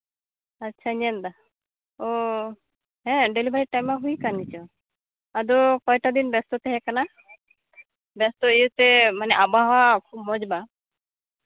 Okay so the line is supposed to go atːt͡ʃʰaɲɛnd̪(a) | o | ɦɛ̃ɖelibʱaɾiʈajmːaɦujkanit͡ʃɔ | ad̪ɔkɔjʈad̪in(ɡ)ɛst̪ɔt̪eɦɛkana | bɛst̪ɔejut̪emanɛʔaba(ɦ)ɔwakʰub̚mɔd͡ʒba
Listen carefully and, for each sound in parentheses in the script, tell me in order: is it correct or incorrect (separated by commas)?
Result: correct, incorrect, correct